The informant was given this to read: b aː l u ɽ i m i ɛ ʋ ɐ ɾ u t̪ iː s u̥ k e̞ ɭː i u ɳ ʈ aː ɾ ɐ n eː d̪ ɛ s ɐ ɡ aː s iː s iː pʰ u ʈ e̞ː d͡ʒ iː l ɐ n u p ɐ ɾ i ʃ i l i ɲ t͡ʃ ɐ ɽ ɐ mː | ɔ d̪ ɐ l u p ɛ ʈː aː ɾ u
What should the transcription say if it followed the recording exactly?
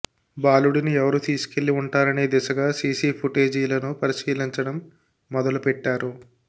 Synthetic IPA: b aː l u ɽ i n i ɛ ʋ ɐ ɾ u t̪ iː s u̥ k e̞ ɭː i u ɳ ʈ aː ɾ ɐ n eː d̪ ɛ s ɐ ɡ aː s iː s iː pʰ u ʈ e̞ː d͡ʒ iː l ɐ n u p ɐ ɾ i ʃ iː l i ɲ t͡ʃ ɐ ɽ ɐ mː | ɔ d̪ ɐ l u p ɛ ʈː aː ɾ u